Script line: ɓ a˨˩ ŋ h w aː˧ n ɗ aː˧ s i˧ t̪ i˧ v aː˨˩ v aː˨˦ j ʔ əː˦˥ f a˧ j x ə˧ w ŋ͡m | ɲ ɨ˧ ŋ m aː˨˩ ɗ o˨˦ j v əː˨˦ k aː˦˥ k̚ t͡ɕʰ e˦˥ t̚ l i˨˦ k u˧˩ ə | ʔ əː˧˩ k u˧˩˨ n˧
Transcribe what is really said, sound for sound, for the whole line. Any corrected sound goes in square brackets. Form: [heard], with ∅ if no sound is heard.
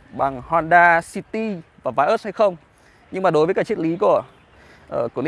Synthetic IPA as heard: ɓ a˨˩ ŋ h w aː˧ n ɗ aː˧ s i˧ t̪ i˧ v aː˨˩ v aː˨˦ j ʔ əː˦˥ [h] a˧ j x ə˧ w ŋ͡m | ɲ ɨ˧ ŋ m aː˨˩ ɗ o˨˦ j v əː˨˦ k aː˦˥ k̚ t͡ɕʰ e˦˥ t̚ l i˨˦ k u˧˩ ə | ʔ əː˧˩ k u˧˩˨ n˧